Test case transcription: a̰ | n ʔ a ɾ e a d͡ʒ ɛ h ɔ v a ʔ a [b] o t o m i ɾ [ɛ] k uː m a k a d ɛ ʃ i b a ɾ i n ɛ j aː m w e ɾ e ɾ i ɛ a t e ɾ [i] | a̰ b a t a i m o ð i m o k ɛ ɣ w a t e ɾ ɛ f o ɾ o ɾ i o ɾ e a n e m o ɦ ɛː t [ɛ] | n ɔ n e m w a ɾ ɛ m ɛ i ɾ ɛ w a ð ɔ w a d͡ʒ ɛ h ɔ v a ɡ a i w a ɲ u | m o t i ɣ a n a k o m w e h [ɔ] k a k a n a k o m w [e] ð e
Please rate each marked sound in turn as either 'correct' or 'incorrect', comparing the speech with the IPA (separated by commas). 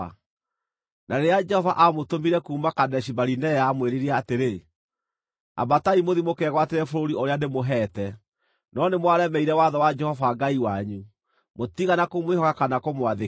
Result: incorrect, correct, incorrect, correct, correct, incorrect